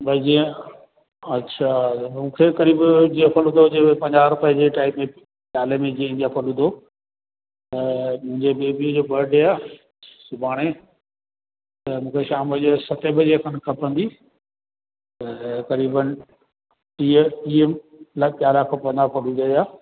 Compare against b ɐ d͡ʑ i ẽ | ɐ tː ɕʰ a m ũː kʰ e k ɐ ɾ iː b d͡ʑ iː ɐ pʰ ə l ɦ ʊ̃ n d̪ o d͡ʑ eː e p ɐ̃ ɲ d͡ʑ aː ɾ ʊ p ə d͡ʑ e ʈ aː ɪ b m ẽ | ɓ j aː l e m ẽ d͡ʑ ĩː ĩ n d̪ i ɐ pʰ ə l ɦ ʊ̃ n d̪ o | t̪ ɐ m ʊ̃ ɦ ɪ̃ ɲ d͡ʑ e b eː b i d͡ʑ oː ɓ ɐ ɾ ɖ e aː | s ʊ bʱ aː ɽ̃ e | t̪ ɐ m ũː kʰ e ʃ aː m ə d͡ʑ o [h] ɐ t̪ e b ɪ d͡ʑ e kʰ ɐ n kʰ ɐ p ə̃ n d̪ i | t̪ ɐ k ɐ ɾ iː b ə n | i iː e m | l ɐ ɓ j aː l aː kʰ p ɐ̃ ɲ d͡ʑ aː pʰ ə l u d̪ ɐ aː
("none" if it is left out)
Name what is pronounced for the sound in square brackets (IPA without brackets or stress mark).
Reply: s